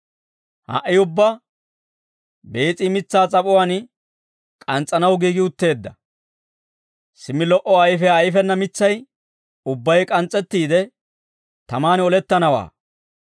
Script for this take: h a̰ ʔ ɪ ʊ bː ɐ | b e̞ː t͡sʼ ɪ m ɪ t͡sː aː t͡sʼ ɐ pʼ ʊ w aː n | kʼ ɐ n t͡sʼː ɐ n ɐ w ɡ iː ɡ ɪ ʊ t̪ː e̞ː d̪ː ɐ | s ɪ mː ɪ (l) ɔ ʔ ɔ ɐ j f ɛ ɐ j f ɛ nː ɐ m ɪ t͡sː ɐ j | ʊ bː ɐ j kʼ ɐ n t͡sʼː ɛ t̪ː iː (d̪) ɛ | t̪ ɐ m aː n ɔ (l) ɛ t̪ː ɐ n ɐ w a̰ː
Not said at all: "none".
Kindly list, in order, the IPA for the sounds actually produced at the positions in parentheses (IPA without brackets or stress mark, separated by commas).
l, d̪, l